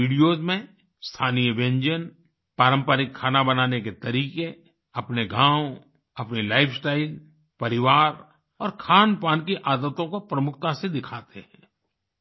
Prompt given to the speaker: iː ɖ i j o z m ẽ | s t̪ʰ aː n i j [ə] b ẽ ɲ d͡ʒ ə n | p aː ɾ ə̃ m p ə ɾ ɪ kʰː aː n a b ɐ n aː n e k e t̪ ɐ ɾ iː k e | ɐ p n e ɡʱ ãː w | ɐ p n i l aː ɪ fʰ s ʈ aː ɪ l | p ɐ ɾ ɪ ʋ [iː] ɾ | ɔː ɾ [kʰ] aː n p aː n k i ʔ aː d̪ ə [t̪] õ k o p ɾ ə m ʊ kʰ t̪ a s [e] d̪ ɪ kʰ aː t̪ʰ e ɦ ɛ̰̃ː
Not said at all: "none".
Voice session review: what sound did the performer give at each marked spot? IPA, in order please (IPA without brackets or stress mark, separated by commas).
ə, aː, kʰ, t̪, e